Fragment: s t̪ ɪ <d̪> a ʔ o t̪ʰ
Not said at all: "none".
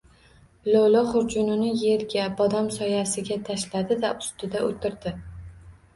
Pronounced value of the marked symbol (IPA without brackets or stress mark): d̪